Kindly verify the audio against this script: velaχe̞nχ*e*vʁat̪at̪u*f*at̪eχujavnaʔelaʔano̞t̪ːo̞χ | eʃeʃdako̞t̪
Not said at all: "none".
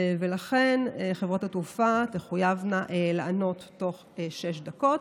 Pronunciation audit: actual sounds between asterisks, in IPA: e, f

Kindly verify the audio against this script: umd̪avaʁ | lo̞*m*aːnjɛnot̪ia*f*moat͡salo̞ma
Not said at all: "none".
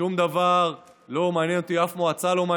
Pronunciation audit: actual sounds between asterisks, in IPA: m, f

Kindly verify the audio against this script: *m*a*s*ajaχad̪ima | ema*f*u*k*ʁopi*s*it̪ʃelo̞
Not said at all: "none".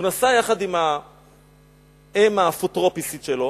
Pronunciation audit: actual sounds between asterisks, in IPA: n, s, f, t, s

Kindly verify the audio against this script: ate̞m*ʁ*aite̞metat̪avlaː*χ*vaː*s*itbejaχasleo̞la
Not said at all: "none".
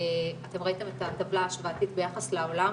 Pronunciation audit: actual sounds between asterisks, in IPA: ʁ, ʃ, t

